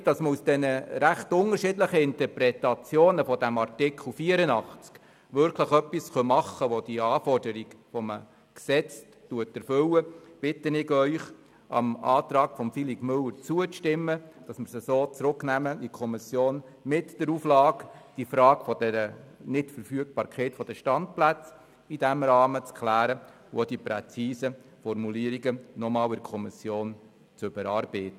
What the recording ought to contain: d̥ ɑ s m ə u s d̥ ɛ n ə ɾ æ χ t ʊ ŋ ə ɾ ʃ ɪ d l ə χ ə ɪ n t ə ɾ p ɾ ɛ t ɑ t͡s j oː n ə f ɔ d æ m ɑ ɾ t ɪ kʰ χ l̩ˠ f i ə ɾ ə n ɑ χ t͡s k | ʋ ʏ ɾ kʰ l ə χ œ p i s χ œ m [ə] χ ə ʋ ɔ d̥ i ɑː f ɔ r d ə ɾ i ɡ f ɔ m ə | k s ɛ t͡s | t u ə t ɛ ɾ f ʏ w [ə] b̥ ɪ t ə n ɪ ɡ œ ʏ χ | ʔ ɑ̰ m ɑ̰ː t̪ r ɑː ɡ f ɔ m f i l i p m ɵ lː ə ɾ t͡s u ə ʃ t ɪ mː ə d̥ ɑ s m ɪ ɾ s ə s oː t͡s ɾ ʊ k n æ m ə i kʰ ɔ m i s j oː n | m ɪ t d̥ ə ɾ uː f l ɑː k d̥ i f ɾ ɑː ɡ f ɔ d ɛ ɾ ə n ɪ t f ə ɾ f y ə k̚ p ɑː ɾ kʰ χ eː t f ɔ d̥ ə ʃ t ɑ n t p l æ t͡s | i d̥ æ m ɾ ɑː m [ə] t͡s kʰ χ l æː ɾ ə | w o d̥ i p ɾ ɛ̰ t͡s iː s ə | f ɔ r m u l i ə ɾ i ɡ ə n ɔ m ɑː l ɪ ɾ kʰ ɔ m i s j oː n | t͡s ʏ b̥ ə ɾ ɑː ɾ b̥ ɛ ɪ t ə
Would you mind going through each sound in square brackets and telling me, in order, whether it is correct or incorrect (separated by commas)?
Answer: incorrect, correct, correct